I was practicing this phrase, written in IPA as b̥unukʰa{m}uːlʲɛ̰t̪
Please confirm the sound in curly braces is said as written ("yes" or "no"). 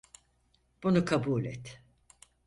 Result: no